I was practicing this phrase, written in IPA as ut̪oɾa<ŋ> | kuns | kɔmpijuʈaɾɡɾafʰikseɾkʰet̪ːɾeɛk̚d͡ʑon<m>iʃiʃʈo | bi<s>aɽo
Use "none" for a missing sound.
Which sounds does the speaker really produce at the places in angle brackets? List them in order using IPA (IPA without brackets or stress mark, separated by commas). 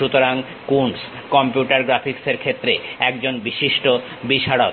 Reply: ŋ, b, ʃ